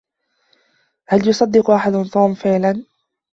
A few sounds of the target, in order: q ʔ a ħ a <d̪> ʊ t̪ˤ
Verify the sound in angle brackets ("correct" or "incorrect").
correct